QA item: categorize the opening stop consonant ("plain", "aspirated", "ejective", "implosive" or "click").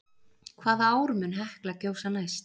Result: aspirated